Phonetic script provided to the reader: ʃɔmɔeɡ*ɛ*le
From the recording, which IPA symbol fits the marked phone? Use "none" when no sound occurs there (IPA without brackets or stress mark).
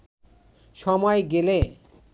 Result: e